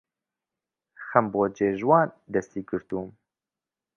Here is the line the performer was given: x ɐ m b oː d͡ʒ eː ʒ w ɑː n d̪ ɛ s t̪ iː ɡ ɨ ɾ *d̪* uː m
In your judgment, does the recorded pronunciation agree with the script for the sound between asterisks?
no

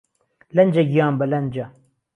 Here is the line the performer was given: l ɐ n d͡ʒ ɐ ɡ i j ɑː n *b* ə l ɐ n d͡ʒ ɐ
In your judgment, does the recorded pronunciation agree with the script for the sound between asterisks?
yes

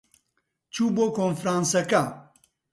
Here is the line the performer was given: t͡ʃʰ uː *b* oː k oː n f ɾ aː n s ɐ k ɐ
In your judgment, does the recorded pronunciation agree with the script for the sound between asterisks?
yes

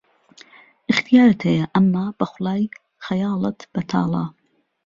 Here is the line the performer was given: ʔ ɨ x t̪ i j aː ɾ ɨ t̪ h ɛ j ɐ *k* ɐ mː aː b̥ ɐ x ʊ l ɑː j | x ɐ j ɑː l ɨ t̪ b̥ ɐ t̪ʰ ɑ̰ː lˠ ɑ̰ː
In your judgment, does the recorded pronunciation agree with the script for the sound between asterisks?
no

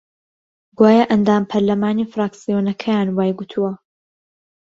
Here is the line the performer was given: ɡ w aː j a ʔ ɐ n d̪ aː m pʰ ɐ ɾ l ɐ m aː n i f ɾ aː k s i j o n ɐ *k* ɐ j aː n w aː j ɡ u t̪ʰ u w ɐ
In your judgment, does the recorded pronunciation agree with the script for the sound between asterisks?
no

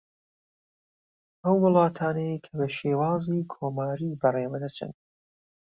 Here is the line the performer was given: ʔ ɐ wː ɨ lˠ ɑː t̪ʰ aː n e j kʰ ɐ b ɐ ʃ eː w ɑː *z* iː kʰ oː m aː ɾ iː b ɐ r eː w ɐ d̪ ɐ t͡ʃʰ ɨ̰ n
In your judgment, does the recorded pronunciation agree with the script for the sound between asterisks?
yes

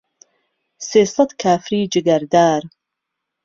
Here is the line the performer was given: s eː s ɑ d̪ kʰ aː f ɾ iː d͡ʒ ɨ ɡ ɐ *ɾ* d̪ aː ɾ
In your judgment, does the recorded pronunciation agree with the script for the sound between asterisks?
yes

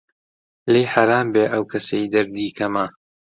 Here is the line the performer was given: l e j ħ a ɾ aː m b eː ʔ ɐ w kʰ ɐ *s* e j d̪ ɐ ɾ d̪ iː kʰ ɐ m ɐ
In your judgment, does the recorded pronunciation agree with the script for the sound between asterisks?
yes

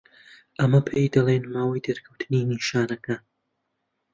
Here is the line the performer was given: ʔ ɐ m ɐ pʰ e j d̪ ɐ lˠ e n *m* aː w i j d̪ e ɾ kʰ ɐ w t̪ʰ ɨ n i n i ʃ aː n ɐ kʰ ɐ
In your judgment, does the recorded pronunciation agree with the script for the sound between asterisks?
yes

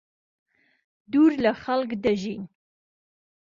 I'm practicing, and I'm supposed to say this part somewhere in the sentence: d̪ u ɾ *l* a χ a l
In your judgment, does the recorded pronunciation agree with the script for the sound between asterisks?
yes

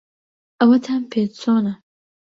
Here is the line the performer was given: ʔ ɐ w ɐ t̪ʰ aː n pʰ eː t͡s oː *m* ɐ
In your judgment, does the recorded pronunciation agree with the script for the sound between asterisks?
no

